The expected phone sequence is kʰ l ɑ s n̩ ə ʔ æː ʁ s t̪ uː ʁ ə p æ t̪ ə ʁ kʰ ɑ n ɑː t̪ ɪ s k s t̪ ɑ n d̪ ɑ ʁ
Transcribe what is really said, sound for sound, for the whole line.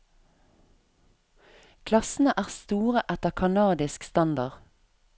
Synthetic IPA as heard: kʰ l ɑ s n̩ ə ʔ æː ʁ s t̪ uː ʁ ə ʔ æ t̪ ə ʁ kʰ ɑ n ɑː d̪ ɪ s k s t̪ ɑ n d̪ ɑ ʁ